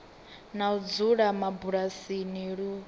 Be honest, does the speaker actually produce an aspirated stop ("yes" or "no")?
no